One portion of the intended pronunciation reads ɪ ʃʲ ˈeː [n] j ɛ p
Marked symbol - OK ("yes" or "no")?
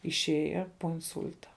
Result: no